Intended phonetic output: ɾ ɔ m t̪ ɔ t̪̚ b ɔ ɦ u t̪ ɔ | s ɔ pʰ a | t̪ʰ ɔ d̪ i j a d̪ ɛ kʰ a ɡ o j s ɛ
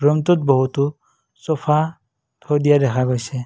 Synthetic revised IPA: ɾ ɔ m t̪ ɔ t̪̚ b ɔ ɦ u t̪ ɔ | s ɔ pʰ a | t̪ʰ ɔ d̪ i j a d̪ ɛ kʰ a ɡ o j s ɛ